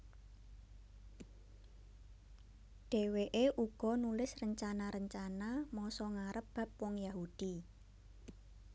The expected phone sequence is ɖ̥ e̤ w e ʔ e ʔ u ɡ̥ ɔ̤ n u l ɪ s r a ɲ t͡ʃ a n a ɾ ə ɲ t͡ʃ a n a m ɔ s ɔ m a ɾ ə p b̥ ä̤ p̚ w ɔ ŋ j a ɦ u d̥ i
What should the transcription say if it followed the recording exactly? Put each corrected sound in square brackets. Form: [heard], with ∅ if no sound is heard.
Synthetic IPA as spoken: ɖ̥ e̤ w e ʔ e ʔ u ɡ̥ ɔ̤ n u l ɪ s r [ə] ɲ t͡ʃ a n a ɾ ə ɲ t͡ʃ a n a m ɔ s ɔ [ŋ] a ɾ ə p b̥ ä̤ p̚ w ɔ ŋ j a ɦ u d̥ i